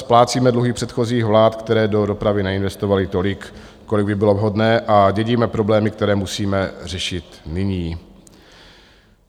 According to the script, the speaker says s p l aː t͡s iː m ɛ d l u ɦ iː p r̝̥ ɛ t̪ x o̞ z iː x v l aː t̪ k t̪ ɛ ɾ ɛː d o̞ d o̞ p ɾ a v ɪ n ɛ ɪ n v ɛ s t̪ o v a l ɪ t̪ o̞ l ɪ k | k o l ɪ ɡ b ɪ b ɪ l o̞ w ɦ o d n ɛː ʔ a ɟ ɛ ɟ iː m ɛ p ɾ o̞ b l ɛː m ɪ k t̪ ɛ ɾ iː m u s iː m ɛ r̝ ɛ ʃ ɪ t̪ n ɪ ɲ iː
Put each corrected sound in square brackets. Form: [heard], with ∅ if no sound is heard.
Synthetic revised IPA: s p l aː t͡s iː m ɛ d l u ɦ iː p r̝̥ ɛ t̪ x o̞ z iː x v l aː t̪ k t̪ ɛ ɾ ɛː d o̞ d o̞ p ɾ a v ɪ n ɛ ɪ n v ɛ s t̪ o v a l ɪ t̪ o̞ l ɪ k | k o l ɪ ɡ b ɪ b ɪ l o̞ [v] ɦ o d n ɛː ʔ a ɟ ɛ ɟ iː m ɛ p ɾ o̞ b l ɛː m ɪ k t̪ ɛ ɾ [ɛː] m u s iː m ɛ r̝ ɛ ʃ ɪ t̪ n ɪ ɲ iː

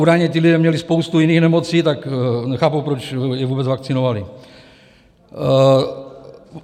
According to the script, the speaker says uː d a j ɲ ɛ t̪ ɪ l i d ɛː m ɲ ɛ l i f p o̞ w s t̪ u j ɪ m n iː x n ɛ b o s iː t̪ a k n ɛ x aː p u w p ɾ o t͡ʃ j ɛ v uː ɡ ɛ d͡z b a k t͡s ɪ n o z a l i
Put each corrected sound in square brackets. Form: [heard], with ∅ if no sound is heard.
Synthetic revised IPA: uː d a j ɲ ɛ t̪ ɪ l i d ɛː m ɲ ɛ l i [s] p o̞ w s t̪ u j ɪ [∅] n iː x n ɛ [m] o [t͡s] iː t̪ a k n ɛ x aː p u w p ɾ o t͡ʃ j ɛ v uː [b] ɛ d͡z [v] a k t͡s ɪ n o [v] a l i

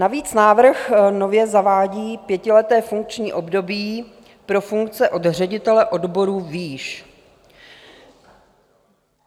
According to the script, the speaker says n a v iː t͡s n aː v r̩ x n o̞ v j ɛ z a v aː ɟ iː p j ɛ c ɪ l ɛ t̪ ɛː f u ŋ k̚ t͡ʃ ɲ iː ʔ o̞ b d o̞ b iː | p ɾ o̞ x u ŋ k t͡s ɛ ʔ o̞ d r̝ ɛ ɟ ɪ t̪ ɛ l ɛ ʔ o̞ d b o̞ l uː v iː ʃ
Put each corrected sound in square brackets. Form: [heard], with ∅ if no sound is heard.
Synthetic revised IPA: n a v iː t͡s n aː v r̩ x n o̞ v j ɛ z a v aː ɟ iː p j ɛ c ɪ l ɛ t̪ ɛː f u ŋ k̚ t͡ʃ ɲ iː ʔ o̞ b d o̞ b iː | p ɾ o̞ [f] u ŋ k t͡s ɛ ʔ o̞ d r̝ ɛ ɟ ɪ t̪ ɛ l ɛ ʔ o̞ d b o̞ [ɾ] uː v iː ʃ

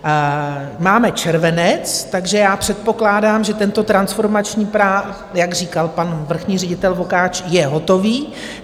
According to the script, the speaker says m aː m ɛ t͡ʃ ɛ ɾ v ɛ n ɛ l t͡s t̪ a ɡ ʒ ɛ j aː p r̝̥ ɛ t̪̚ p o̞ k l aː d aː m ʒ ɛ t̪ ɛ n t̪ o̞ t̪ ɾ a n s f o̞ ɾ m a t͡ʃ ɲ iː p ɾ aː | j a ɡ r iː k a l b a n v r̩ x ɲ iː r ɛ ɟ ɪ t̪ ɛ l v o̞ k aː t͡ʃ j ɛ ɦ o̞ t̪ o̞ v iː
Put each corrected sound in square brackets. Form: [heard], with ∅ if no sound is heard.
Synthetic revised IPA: m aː m ɛ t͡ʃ ɛ ɾ v ɛ n ɛ [∅] t͡s t̪ a ɡ ʒ ɛ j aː p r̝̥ ɛ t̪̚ p o̞ k l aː d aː m ʒ ɛ t̪ ɛ n t̪ o̞ t̪ ɾ a n s f o̞ ɾ m a t͡ʃ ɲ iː p ɾ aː | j a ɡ r iː k a l [p] a n v r̩ x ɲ iː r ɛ ɟ ɪ t̪ ɛ l v o̞ k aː t͡ʃ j ɛ ɦ o̞ t̪ o̞ v iː

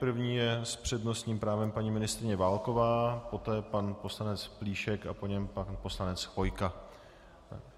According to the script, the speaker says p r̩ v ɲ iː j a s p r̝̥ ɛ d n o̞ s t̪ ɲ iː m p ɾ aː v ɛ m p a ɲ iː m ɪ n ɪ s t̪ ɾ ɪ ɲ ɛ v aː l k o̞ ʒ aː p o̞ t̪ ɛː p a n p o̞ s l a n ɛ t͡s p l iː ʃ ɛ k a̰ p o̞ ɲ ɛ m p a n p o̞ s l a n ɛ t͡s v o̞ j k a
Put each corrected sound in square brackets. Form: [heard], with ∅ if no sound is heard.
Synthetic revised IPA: p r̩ v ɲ iː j [ɛ] s p r̝̥ ɛ d n o̞ s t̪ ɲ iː m p ɾ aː v ɛ m p a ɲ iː m ɪ n ɪ s t̪ ɾ ɪ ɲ ɛ v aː l k o̞ [v] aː p o̞ t̪ ɛː p a n p o̞ s l a n ɛ t͡s p l iː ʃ ɛ k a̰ p o̞ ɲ ɛ m p a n p o̞ s l a n ɛ t͡s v o̞ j k a

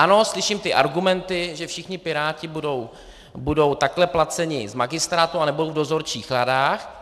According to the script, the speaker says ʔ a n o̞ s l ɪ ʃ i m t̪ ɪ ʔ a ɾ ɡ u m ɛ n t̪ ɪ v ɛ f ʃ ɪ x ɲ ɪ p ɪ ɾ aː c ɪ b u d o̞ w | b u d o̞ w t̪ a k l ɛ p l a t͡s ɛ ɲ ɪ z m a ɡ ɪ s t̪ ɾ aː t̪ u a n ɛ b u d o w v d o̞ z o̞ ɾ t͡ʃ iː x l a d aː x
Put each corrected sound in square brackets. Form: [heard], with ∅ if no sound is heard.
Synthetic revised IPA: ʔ a n o̞ s l ɪ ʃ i m t̪ ɪ ʔ a ɾ ɡ u m ɛ n t̪ ɪ [ʒ] ɛ f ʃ ɪ x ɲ ɪ p ɪ ɾ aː c ɪ b u d o̞ w | b u d o̞ w t̪ a k l ɛ p l a t͡s ɛ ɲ ɪ z m a ɡ ɪ s t̪ ɾ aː t̪ u a n ɛ b u d o w v d o̞ z o̞ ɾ t͡ʃ iː x l a d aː x

